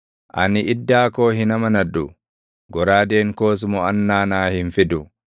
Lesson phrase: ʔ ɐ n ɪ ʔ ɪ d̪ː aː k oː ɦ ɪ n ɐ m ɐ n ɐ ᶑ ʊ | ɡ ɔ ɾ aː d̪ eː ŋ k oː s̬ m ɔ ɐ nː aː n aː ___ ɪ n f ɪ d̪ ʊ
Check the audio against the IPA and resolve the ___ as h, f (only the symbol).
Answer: h